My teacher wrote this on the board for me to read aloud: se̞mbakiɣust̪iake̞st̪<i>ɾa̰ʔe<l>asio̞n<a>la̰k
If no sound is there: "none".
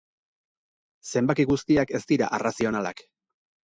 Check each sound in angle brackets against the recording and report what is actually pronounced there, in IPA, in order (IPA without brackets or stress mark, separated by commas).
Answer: i, r, a